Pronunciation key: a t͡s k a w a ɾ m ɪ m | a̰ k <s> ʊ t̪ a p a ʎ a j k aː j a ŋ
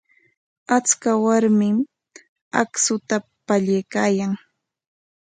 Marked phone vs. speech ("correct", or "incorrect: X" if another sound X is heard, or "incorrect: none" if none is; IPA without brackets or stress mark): correct